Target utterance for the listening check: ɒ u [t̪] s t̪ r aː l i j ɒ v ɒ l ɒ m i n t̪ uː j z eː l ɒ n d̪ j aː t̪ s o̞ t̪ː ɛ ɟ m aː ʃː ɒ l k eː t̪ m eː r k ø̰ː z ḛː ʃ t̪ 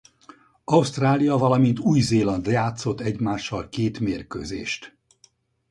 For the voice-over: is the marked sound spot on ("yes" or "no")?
no